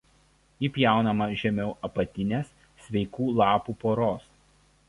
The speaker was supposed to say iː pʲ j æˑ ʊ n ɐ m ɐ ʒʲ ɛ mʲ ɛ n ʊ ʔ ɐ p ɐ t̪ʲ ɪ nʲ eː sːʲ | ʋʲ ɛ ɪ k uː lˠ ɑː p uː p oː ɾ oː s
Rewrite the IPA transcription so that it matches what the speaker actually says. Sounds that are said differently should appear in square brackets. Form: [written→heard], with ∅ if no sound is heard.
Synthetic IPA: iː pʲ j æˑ ʊ n ɐ m ɐ ʒʲ ɛ mʲ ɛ [n→∅] ʊ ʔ ɐ p ɐ t̪ʲ ɪ nʲ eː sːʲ | ʋʲ ɛ ɪ k uː lˠ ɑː p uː p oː ɾ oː s

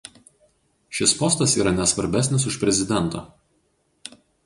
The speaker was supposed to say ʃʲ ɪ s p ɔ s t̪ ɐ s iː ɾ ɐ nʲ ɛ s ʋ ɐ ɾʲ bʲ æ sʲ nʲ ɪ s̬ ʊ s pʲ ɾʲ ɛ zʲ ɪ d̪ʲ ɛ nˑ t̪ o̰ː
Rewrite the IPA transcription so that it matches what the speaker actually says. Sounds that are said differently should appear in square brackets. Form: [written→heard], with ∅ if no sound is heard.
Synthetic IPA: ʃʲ ɪ s p ɔ s t̪ ɐ s iː ɾ ɐ nʲ ɛ s ʋ ɐ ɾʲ bʲ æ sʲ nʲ ɪ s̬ ʊ [s→ʃ] pʲ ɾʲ ɛ zʲ ɪ d̪ʲ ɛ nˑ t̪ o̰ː

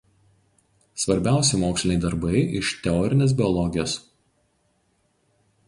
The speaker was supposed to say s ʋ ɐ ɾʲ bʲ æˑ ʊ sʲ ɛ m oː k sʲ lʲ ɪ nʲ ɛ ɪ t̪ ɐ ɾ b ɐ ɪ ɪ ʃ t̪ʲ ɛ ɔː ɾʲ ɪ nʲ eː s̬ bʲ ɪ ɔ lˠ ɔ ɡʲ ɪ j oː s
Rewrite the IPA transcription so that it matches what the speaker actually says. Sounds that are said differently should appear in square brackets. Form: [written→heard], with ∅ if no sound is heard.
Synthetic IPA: s ʋ ɐ ɾʲ bʲ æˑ ʊ sʲ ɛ m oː k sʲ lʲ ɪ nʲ ɛ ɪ [t̪→d̪] ɐ ɾ b ɐ ɪ ɪ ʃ t̪ʲ ɛ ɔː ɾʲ ɪ nʲ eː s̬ bʲ ɪ ɔ lˠ ɔ ɡʲ ɪ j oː s

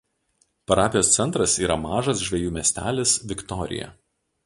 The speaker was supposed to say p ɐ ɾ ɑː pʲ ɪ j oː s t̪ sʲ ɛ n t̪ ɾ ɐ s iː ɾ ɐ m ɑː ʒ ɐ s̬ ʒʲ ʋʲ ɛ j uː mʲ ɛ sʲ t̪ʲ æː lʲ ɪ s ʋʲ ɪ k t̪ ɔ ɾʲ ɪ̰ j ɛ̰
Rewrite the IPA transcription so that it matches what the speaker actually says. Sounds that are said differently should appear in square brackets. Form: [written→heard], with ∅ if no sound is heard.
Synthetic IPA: p ɐ ɾ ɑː pʲ ɪ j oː s t̪ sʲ ɛ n t̪ ɾ ɐ s iː ɾ ɐ m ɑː ʒ ɐ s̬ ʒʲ ʋʲ ɛ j uː mʲ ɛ sʲ t̪ʲ æː lʲ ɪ s ʋʲ ɪ k t̪ ɔ ɾʲ ɪ̰ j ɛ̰

